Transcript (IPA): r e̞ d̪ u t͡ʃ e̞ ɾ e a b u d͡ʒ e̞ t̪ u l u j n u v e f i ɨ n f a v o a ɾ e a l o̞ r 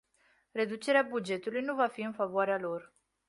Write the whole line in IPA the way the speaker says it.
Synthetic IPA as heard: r e̞ d̪ u t͡ʃ e̞ ɾ e a b u d͡ʒ e̞ t̪ u l u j n u v a f i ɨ n f a v o a ɾ e a l o̞ r